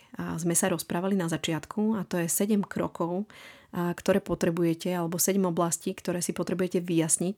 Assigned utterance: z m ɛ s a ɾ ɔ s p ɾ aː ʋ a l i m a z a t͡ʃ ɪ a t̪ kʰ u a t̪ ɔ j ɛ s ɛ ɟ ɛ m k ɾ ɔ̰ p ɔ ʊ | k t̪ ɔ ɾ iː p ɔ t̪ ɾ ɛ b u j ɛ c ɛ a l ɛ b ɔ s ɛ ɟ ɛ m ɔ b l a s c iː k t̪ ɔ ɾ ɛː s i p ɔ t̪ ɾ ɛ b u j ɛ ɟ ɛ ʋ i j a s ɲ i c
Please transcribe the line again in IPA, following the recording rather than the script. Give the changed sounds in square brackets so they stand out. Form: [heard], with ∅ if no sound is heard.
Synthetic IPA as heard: z m ɛ s a ɾ ɔ s p ɾ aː ʋ a l i [n] a z a t͡ʃ ɪ a t̪ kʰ u a t̪ ɔ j ɛ s ɛ ɟ ɛ m k ɾ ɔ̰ [k] ɔ ʊ | k t̪ ɔ ɾ [ɛː] p ɔ t̪ ɾ ɛ b u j ɛ c ɛ a l ɛ b ɔ s ɛ ɟ ɛ m ɔ b l a s c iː k t̪ ɔ ɾ ɛː s i p ɔ t̪ ɾ ɛ b u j ɛ [c] ɛ ʋ i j a s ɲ i c